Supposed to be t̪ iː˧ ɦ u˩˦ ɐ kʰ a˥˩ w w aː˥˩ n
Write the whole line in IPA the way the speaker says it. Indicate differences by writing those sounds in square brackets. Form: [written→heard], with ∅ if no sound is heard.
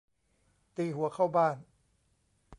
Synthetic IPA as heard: t̪ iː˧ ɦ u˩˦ ɐ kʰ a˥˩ w [w→b] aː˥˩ n